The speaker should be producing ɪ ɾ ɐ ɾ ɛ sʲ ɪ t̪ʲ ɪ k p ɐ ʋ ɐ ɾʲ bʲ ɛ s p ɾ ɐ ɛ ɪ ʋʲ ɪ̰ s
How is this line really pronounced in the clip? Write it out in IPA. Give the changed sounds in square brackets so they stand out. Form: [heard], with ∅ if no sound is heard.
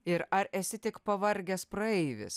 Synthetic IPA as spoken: ɪ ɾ ɐ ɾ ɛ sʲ ɪ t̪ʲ ɪ k p ɐ ʋ ɐ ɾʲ [ɡʲ] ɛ s p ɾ ɐ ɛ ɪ ʋʲ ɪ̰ s